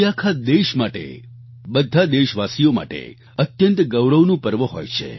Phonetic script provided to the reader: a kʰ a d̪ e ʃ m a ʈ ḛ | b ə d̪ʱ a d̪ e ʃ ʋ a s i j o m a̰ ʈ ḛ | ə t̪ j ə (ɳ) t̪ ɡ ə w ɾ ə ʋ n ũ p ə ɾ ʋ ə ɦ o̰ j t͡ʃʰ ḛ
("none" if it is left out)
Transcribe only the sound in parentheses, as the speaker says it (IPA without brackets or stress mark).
n